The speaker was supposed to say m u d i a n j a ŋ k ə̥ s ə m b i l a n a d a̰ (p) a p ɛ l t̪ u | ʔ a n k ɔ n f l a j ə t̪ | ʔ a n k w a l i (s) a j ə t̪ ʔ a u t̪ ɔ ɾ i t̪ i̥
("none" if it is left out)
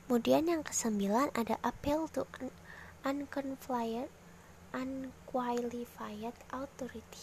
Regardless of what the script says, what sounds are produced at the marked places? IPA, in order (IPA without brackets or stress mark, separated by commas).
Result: ʔ, f